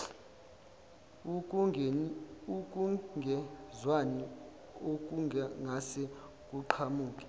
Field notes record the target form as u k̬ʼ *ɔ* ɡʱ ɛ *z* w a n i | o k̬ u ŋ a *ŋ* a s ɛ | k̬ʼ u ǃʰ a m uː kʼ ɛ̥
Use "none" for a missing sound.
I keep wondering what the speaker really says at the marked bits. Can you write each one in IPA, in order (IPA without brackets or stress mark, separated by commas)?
u, z, ŋ